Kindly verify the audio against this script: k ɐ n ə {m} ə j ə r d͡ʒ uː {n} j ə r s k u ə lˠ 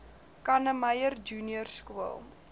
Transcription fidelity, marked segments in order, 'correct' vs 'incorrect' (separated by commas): correct, correct